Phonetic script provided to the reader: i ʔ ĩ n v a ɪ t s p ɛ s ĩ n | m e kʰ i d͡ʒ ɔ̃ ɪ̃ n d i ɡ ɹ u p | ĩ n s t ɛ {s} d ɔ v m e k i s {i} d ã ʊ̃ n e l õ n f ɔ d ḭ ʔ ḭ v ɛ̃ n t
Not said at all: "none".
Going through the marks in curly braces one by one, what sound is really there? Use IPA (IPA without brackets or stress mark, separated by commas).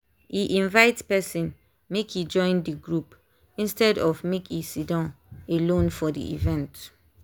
none, i